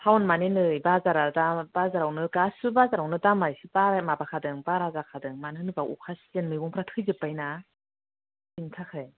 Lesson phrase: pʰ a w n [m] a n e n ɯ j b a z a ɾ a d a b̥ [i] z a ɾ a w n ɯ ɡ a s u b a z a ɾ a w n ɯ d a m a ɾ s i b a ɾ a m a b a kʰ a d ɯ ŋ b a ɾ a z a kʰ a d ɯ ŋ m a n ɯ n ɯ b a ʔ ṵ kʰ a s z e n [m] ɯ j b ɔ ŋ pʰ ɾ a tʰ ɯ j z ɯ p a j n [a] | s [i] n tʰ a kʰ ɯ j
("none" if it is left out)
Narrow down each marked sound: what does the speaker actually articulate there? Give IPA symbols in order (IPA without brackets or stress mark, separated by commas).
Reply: m, a, m, a, i